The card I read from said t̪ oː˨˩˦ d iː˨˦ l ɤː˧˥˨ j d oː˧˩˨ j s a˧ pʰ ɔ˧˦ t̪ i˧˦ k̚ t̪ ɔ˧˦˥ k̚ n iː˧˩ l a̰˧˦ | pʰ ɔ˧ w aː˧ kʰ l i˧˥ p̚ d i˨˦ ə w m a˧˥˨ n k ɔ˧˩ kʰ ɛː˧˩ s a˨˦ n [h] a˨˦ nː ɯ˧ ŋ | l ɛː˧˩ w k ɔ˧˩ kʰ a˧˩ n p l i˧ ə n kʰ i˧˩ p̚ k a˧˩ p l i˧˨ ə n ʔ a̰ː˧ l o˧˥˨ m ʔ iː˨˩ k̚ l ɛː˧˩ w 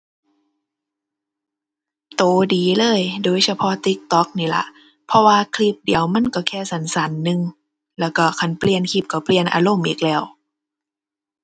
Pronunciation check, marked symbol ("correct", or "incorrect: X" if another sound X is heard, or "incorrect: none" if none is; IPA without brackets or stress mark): incorrect: s